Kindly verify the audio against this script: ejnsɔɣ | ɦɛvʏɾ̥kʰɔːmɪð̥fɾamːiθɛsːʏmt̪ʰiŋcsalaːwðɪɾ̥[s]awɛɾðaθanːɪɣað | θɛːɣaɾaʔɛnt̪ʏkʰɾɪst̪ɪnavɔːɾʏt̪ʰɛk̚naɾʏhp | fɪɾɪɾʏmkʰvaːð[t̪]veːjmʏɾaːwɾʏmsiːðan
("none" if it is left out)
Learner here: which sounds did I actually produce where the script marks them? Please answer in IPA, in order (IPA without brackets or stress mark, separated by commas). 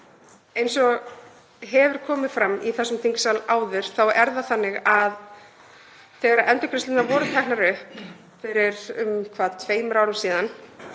θ, t̪ʰ